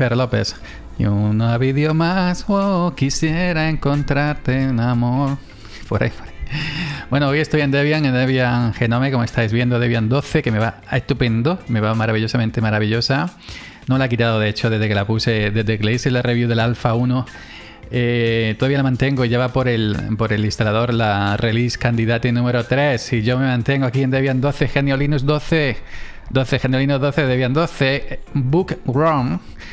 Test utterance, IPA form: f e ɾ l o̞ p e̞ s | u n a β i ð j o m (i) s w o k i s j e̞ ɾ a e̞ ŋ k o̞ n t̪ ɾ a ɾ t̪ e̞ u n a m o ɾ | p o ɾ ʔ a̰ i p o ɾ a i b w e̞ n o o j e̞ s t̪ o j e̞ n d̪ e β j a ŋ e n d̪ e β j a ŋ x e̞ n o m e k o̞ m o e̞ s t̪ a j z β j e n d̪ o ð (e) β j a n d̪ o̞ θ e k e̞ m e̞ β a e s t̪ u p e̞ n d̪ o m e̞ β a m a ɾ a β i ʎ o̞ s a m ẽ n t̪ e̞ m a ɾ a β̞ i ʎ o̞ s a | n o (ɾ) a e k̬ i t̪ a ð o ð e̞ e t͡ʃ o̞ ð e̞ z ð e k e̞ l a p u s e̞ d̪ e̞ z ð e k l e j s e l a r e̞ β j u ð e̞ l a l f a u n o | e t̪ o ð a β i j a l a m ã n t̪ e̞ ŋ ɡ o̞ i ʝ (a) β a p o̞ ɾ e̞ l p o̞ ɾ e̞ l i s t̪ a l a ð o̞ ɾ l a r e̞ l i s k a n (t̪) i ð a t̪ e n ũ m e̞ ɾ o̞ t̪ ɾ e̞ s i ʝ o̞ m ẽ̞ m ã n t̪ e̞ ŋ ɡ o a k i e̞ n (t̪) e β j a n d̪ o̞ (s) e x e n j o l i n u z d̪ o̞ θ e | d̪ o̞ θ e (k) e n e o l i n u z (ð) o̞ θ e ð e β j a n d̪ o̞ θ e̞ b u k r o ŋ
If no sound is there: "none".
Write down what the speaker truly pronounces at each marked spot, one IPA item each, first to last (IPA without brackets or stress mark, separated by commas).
a, e, l, a, d̪, d̪, θ, x, ð